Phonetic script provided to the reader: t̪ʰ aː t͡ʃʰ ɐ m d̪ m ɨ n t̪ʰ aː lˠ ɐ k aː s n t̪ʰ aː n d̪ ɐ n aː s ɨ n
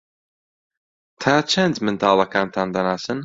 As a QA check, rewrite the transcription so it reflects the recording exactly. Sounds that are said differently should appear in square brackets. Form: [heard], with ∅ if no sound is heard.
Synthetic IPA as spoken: t̪ʰ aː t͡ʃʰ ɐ [n] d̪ m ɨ n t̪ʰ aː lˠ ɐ k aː [∅] n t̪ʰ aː n d̪ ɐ n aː s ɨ n